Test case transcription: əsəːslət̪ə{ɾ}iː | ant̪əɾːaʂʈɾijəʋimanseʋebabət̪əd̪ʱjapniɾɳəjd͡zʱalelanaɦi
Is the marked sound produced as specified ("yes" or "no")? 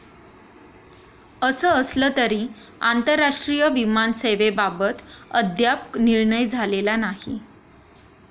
yes